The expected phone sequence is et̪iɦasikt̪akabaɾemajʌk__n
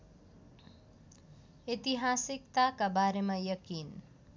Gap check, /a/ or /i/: i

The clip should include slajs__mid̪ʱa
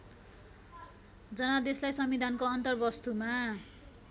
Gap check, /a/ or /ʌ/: ʌ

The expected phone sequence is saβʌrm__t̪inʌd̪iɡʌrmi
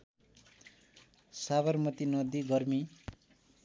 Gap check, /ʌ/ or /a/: ʌ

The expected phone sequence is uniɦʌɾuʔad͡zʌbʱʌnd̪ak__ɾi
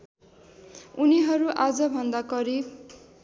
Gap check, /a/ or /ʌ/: ʌ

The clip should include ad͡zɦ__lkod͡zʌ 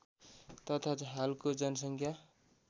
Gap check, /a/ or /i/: a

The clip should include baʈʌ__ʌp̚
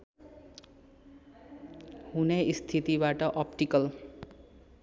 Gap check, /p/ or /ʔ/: ʔ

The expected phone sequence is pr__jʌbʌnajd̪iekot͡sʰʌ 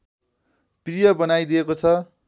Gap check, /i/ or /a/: i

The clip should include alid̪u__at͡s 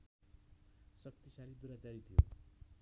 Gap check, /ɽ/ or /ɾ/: ɾ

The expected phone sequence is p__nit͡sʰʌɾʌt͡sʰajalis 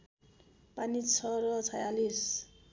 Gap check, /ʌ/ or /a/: a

